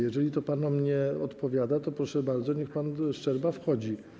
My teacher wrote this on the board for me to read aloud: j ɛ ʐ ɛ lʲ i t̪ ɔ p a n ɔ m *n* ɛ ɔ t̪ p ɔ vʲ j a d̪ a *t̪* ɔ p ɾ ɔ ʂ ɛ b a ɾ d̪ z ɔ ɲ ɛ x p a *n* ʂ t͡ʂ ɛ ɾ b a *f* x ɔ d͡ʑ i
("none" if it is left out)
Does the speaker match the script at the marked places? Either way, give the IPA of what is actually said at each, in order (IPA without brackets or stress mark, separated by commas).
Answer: ɲ, t̪, n, f